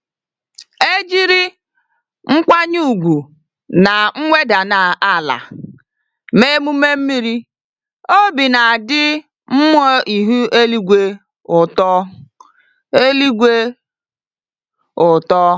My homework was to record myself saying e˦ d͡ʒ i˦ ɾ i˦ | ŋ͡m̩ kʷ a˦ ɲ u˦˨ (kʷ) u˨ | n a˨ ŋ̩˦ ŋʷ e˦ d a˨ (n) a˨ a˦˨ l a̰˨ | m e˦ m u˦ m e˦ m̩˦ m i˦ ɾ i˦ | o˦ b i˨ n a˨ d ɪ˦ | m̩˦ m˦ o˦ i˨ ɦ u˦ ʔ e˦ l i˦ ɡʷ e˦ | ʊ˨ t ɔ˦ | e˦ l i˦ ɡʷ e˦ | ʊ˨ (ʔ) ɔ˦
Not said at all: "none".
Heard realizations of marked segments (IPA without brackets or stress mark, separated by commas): ɡʷ, n, t